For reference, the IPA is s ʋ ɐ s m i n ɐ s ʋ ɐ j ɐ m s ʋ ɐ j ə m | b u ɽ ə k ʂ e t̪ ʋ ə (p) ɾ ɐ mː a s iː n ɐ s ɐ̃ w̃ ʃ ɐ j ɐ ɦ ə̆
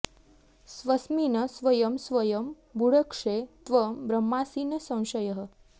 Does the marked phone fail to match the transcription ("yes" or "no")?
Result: yes